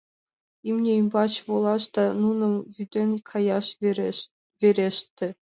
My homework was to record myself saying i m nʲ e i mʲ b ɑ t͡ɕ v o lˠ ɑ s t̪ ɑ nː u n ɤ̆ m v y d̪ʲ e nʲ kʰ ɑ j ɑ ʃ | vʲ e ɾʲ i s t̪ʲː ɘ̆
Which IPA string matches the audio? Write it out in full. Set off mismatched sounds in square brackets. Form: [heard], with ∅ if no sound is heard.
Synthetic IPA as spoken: i m nʲ e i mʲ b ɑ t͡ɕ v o lˠ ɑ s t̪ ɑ [n] u n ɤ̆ m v y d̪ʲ e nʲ kʰ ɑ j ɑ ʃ | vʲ e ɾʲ [e] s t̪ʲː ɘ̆